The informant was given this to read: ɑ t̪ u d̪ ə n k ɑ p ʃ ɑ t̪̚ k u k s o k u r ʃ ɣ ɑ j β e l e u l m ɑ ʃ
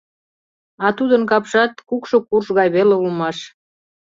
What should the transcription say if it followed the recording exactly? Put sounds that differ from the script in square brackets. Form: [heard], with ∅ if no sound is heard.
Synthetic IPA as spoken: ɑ t̪ u d̪ ə n k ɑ p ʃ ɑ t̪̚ k u k [ʃ] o k u r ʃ ɣ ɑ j β e l e u l m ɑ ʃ